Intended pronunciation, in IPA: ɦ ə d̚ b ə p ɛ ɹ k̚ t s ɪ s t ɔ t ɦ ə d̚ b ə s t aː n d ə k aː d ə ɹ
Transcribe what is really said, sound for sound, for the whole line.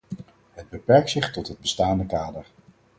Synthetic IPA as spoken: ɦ ə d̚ b ə p ɛ ɹ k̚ t s ɪ χ t ɔ t ɦ ə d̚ b ə s t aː n d ə k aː d ə ɹ